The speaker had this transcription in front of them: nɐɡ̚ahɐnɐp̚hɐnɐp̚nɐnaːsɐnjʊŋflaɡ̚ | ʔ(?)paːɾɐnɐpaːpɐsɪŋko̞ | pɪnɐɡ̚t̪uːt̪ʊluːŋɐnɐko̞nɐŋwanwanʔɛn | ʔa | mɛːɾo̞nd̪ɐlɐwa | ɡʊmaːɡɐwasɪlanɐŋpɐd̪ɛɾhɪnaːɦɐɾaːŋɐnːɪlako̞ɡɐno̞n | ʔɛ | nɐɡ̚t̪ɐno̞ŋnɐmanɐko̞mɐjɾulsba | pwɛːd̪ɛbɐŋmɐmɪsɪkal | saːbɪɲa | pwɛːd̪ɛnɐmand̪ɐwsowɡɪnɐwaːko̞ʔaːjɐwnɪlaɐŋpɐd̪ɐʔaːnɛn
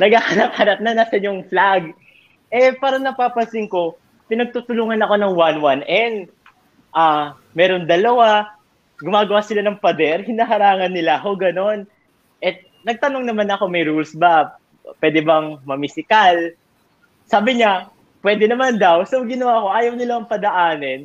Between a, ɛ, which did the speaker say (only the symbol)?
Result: ɛ